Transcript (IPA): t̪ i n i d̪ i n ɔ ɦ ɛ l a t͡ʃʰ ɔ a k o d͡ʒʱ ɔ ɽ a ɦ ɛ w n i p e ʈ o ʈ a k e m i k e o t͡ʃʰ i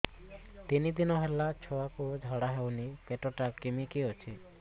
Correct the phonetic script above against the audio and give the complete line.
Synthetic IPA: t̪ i n i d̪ i n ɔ ɦ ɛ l a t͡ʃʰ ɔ a k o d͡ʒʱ ɔ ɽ a ɦ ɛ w n i p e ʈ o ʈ a k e m i k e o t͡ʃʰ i